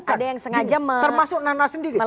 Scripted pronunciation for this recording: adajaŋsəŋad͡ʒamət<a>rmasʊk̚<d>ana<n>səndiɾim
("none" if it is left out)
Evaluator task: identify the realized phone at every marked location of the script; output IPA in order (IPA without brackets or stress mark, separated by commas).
ə, n, none